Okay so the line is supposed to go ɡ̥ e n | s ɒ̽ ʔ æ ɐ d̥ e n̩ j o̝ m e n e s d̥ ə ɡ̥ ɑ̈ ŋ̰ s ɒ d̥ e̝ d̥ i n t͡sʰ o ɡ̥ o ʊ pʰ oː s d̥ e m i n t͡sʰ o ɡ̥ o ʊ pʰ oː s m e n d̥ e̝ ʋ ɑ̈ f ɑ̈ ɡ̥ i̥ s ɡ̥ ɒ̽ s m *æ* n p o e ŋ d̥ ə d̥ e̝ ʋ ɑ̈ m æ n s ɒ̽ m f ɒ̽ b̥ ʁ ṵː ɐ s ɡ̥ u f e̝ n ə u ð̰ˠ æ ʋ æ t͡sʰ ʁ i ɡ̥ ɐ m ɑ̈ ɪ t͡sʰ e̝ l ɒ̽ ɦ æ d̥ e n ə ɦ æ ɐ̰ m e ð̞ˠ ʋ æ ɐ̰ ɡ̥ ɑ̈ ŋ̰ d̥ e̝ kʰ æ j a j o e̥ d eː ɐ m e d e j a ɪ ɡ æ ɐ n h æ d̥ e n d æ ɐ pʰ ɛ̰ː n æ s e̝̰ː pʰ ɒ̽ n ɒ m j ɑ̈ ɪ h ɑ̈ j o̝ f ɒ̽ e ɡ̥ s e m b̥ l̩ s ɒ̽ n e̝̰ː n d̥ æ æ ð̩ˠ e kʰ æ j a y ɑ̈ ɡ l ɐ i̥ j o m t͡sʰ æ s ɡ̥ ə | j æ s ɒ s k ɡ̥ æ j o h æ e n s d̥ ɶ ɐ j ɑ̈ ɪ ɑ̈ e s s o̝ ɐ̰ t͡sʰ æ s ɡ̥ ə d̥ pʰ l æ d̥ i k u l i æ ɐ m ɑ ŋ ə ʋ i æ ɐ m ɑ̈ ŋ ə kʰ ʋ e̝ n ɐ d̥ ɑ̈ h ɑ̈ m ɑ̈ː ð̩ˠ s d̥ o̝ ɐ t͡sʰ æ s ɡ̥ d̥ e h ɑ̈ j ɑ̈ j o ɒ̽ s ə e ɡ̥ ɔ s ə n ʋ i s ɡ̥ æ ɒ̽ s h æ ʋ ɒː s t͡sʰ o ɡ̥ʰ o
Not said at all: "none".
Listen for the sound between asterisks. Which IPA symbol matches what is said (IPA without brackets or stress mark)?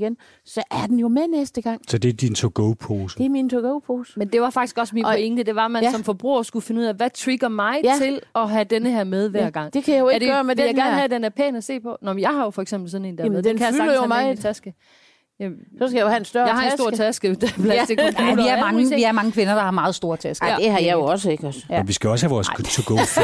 i